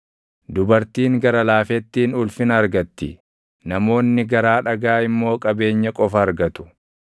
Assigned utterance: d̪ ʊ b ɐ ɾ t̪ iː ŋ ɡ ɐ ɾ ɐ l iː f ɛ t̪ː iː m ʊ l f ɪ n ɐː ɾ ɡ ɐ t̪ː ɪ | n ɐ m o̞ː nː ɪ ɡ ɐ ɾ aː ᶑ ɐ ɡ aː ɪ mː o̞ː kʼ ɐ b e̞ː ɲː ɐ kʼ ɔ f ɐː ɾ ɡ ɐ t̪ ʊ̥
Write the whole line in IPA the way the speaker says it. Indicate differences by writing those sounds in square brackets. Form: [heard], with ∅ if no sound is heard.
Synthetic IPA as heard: d̪ ʊ b ɐ ɾ t̪ iː ŋ ɡ ɐ ɾ ɐ l [aː] f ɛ t̪ː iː [n] ʊ l f ɪ n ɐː ɾ ɡ ɐ t̪ː ɪ | n ɐ m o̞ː nː ɪ ɡ ɐ ɾ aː ᶑ ɐ ɡ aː ɪ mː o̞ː kʼ ɐ b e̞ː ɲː ɐ kʼ ɔ f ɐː ɾ ɡ ɐ t̪ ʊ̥